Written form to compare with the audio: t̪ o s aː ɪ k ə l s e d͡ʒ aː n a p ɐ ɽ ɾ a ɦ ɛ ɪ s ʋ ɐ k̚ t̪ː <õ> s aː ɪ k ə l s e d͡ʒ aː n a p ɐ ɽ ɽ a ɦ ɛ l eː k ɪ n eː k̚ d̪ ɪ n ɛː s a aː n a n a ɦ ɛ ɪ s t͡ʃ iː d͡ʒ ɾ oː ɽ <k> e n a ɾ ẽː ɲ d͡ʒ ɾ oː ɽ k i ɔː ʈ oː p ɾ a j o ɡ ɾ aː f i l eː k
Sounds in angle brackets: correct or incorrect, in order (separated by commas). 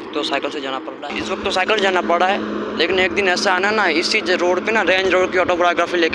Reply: incorrect, incorrect